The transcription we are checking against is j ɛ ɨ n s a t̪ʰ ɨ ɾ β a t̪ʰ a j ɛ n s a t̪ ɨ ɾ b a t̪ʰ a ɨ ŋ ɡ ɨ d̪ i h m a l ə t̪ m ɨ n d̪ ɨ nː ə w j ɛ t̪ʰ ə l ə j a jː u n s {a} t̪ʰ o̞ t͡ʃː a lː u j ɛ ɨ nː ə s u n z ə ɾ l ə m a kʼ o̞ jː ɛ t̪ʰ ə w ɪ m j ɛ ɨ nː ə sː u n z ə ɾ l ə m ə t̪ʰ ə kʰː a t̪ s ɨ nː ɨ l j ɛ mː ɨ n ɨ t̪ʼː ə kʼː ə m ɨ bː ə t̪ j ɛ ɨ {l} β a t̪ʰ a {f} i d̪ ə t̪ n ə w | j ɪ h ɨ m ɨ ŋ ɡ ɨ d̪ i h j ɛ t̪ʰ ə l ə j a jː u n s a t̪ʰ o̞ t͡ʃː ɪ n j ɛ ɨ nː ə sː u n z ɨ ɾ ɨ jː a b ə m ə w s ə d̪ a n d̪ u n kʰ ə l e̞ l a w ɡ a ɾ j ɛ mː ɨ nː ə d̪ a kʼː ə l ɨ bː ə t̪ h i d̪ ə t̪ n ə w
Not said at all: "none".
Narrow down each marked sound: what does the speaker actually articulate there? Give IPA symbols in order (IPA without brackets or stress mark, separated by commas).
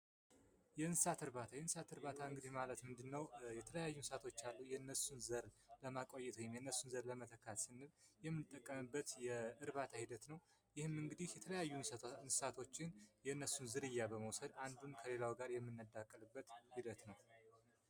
a, ɾ, h